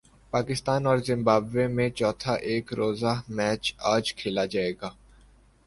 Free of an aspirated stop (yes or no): no